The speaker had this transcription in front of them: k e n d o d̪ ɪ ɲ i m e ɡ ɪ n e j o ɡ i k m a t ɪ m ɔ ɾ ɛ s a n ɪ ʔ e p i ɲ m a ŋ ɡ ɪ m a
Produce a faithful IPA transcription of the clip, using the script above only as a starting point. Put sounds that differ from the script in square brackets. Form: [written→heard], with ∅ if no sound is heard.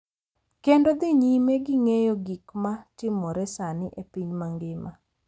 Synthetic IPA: k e n d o d̪ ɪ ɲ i m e ɡ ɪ [n→ŋ] e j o ɡ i k m a t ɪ m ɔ ɾ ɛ s a n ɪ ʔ e p i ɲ m a ŋ ɡ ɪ m a